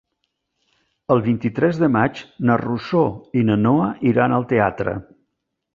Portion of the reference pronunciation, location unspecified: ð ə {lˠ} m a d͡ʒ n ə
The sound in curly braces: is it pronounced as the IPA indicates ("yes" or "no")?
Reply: no